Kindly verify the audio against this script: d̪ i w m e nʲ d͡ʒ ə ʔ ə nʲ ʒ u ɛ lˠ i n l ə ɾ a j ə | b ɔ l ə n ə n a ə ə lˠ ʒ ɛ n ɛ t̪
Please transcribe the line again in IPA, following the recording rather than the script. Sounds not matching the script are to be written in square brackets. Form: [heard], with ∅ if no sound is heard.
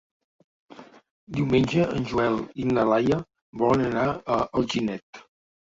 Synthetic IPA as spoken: d̪ i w m e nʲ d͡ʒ ə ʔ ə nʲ ʒ u ɛ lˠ i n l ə [l] a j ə | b ɔ l ə n ə n a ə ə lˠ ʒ [i] n ɛ t̪